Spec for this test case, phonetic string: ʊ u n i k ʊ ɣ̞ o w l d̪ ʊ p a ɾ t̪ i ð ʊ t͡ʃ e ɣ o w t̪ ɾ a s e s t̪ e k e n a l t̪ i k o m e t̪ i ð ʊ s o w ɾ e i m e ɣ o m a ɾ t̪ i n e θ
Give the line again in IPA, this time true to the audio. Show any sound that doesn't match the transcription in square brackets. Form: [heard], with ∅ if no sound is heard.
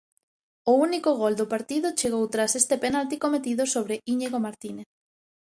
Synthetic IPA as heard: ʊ u n i k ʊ ɣ̞ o [∅] l d̪ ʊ p a ɾ t̪ i ð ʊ t͡ʃ e ɣ o w t̪ ɾ a s e s t̪ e [p] e n a l t̪ i k o m e t̪ i ð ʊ s o [β] ɾ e i [ɲ] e ɣ o m a ɾ t̪ i n e θ